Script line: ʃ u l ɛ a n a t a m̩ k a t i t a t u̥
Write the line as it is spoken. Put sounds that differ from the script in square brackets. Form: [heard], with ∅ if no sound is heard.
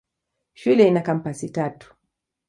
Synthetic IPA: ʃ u l ɛ [i] n a [k] a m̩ [p] a [s] i t a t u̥